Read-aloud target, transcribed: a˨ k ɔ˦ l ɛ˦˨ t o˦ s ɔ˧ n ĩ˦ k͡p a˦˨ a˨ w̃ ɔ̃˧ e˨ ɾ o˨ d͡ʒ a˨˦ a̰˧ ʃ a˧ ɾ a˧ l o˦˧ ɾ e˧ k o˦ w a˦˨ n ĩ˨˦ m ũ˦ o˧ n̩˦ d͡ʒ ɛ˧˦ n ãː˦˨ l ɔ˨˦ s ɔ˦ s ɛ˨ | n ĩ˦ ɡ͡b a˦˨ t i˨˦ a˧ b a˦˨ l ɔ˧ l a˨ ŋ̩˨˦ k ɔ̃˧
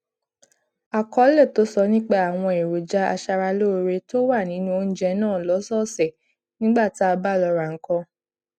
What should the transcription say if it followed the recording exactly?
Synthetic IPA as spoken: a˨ k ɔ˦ l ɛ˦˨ t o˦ s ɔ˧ n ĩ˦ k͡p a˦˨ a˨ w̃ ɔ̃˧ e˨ ɾ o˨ d͡ʒ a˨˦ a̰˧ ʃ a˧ ɾ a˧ l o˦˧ ɾ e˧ t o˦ w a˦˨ n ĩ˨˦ n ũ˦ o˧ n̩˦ d͡ʒ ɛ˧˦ n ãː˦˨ l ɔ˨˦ s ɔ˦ s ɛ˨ | n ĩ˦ ɡ͡b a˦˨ t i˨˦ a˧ b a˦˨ l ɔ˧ ɾ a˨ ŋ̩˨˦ k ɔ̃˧

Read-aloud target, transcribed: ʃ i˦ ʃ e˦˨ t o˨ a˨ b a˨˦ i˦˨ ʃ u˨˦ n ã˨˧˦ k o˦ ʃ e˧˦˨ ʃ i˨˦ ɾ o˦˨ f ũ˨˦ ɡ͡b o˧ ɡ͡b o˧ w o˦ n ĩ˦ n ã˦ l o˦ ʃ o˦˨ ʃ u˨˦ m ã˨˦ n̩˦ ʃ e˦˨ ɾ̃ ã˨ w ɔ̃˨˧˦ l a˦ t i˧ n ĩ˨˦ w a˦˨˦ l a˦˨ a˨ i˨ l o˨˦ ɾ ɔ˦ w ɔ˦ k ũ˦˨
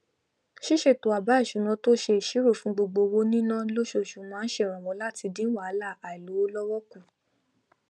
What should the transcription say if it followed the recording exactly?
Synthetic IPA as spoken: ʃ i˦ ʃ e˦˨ t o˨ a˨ b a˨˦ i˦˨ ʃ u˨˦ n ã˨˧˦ t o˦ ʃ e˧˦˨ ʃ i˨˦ ɾ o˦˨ f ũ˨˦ ɡ͡b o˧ ɡ͡b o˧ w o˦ n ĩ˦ n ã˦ l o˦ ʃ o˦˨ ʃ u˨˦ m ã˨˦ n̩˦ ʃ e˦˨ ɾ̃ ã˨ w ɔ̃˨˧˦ l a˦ t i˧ d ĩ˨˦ w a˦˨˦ l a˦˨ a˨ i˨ l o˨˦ l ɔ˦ w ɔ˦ k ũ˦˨

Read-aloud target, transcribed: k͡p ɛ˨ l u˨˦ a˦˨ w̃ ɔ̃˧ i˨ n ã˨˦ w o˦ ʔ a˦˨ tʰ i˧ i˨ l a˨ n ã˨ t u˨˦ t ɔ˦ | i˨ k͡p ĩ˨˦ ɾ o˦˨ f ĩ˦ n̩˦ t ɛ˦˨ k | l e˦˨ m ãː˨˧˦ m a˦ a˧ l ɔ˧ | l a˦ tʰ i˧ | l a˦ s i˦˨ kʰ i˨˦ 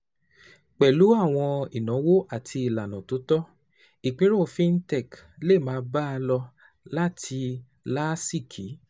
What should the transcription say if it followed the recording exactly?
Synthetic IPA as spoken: k͡p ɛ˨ l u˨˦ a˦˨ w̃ ɔ̃˧ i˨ n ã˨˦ w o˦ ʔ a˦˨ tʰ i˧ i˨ l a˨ n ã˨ t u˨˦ t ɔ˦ | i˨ k͡p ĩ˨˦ ɾ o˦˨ f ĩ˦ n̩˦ t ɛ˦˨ k | l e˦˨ m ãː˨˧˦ b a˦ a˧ l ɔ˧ | l a˦ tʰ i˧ | l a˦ s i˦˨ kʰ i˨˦

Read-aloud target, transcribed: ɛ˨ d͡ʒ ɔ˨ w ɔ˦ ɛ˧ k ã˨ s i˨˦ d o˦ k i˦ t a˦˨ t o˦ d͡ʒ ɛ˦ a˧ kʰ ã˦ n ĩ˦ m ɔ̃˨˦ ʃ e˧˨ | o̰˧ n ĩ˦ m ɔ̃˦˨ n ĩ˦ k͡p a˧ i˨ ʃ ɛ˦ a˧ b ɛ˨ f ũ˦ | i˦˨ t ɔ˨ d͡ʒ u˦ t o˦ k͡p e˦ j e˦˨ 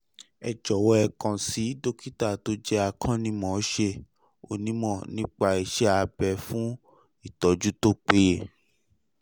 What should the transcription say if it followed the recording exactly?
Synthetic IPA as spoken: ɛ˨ d͡ʒ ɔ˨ w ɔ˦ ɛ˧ k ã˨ s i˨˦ d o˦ k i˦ t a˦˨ t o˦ d͡ʒ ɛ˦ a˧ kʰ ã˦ n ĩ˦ m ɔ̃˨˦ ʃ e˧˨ | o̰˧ n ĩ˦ m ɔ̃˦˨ n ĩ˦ k͡p a˧ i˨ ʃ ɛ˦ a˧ b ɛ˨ f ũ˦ | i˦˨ t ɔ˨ d͡ʒ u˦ t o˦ k͡p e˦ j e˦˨

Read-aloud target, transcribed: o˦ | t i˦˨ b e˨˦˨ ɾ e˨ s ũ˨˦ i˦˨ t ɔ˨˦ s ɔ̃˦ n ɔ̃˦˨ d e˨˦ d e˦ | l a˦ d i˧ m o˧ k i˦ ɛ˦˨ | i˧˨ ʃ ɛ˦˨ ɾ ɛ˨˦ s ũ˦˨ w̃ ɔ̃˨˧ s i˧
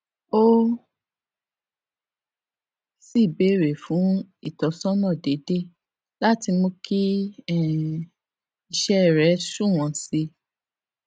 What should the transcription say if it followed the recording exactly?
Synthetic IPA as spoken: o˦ | s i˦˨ b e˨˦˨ ɾ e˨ f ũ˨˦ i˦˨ t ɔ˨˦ s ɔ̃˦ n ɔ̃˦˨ d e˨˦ d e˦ | l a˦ t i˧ m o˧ k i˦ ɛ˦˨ | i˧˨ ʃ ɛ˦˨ ɾ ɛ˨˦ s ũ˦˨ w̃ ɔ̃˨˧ s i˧

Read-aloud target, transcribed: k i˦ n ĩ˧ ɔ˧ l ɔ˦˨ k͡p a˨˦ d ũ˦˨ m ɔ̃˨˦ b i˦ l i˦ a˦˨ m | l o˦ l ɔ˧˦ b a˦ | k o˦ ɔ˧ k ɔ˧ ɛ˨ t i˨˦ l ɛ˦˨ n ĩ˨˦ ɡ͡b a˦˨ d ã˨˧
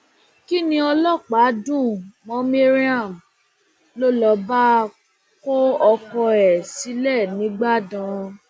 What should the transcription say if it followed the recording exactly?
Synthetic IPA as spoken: k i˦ n ĩ˧ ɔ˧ l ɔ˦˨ k͡p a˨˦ d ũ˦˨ m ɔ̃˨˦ m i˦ ɾ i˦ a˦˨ m | l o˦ l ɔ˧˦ b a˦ | k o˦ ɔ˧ k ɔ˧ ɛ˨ s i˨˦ l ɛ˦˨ n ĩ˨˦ ɡ͡b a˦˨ d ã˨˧

